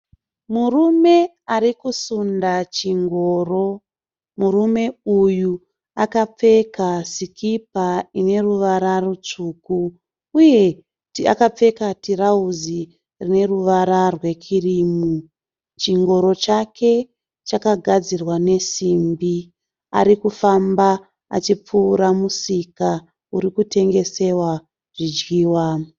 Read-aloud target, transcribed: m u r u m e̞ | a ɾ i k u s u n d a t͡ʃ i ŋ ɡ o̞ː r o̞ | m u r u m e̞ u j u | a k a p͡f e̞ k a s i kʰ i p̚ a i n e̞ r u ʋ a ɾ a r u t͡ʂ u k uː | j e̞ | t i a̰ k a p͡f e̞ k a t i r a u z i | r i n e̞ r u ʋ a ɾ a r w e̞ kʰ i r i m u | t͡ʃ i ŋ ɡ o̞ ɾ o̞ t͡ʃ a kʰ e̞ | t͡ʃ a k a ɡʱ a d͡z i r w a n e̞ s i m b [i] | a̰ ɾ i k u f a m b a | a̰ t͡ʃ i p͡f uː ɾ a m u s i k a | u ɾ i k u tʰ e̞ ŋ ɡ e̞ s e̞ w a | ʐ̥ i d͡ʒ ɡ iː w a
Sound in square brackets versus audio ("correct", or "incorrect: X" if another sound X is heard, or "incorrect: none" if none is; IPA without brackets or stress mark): correct